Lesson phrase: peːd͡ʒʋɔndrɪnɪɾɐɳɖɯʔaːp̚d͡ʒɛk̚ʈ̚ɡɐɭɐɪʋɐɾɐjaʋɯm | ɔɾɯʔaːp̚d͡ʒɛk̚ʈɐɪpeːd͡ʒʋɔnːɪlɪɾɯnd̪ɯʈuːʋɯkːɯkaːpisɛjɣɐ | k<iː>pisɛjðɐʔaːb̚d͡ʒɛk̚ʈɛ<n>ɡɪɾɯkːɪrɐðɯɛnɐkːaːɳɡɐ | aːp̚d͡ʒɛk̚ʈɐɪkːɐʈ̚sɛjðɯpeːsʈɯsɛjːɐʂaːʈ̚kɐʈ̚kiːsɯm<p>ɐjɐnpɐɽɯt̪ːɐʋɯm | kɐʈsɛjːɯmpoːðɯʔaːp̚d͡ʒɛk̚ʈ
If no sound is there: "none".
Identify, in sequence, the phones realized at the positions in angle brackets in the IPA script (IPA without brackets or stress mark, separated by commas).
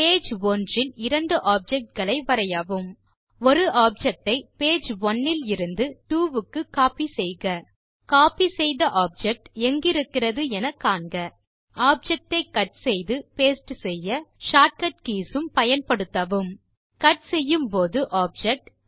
aː, ŋ, p